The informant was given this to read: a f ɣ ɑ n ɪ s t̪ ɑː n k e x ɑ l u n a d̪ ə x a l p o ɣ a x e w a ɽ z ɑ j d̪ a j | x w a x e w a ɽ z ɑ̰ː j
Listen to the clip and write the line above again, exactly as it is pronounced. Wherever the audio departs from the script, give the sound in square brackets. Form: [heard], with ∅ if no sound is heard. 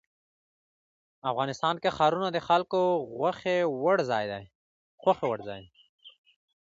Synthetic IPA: a f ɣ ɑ n ɪ s t̪ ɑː n k e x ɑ [ɾ] u n a d̪ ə x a l [k] o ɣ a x e w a ɽ z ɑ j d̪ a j | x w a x e w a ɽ z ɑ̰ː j